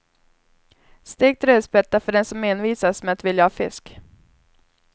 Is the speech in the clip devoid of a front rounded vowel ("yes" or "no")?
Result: no